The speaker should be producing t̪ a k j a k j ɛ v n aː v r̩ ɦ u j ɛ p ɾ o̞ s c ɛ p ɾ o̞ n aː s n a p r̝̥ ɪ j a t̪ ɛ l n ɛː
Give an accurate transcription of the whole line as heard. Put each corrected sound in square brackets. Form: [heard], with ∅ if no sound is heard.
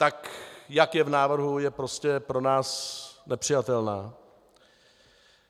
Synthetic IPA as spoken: t̪ a k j a k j ɛ v n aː v r̩ ɦ u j ɛ p ɾ o̞ s c ɛ p ɾ o̞ n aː s n [ɛ] p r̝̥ ɪ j a t̪ ɛ l n [aː]